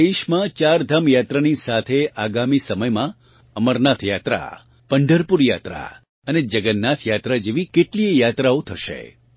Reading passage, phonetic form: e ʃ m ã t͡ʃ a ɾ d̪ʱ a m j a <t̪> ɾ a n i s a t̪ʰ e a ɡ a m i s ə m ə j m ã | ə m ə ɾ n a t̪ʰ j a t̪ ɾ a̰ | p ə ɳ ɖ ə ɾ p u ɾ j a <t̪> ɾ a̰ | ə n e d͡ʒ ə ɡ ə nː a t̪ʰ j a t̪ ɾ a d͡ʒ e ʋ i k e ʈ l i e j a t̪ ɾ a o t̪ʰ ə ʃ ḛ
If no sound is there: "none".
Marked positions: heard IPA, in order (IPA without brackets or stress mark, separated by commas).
t̪, t̪